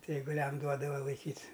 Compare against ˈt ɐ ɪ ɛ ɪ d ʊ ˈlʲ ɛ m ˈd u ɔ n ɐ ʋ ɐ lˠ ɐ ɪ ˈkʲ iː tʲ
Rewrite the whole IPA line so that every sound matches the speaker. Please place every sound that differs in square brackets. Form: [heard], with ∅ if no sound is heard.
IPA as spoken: ˈt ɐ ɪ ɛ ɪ [ɡ] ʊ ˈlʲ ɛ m ˈd u ɔ [d] ɐ ʋ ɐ lˠ ɐ ɪ ˈkʲ iː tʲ